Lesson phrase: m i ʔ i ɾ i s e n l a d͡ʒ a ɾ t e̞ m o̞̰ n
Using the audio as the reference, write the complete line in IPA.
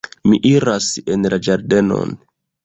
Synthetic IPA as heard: m i ʔ i ɾ a s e n l a d͡ʒ a ɾ d e̞ n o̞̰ n